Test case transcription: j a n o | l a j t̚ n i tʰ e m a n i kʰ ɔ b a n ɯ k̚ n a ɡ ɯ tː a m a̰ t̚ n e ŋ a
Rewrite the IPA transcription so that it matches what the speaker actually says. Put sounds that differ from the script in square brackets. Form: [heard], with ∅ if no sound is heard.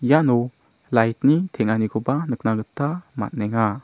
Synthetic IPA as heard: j a n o | l a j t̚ n i tʰ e [ŋ] a n i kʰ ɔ b a n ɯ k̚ n a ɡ ɯ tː a m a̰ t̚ n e ŋ a